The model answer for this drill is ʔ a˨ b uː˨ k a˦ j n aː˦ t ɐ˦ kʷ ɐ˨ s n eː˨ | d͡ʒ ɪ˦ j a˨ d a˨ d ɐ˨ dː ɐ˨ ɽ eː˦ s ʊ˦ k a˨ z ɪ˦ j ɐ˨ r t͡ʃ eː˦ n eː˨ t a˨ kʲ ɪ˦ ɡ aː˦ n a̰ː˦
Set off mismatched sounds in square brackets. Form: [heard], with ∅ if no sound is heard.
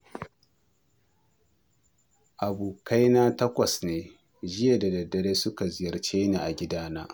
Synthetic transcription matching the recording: ʔ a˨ b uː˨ k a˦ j n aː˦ t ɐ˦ kʷ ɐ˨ s n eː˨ | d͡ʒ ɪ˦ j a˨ d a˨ d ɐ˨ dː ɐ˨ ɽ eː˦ s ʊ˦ k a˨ z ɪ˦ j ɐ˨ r t͡ʃ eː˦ n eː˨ [ʔ] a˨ [ɡʲ] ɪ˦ [d] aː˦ n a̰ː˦